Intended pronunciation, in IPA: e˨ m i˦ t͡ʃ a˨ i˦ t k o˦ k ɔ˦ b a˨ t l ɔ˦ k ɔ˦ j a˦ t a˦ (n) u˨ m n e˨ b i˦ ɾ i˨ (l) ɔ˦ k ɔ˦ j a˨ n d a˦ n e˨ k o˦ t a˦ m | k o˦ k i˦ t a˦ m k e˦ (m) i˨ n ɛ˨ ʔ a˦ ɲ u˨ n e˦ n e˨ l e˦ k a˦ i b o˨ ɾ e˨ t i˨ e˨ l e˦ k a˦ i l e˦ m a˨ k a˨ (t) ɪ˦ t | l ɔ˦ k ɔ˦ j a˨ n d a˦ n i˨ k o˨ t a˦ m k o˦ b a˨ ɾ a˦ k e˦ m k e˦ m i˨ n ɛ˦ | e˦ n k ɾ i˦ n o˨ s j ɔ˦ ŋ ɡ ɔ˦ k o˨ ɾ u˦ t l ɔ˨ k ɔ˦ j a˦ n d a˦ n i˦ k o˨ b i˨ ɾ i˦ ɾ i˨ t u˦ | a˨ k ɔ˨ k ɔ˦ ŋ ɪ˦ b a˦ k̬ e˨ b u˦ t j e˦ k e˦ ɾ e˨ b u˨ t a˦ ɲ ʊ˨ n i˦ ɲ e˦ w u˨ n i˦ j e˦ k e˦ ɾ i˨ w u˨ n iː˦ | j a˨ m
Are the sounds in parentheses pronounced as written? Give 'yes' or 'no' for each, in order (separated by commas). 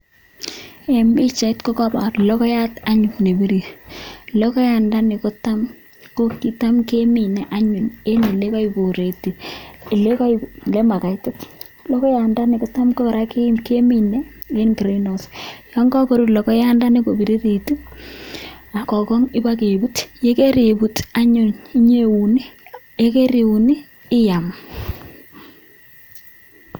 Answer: no, yes, yes, yes